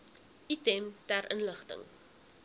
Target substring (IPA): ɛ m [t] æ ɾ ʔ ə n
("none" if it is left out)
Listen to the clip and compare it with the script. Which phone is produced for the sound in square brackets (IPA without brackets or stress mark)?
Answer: t